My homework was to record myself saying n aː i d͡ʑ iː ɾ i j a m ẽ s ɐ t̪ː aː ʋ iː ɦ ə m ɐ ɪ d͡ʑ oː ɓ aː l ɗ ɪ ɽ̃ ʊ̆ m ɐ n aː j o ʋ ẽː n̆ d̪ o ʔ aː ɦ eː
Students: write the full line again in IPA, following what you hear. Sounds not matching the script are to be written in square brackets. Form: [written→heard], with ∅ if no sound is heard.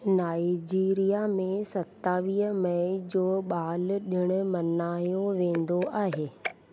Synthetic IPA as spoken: n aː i d͡ʑ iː ɾ i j a m ẽ s ɐ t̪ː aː ʋ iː ɦ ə m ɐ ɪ d͡ʑ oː ɓ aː l ɗ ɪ ɽ̃ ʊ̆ m ɐ n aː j o ʋ ẽː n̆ d̪ o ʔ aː ɦ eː